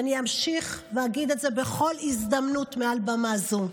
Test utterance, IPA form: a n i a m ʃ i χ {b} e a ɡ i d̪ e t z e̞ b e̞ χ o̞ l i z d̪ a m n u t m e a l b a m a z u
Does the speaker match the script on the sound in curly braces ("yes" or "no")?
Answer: no